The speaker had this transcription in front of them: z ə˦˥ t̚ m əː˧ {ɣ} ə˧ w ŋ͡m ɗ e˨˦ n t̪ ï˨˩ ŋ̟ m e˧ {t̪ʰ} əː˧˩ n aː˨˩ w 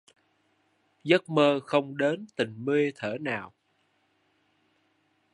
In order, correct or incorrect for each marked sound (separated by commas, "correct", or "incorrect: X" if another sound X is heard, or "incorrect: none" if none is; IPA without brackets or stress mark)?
incorrect: x, correct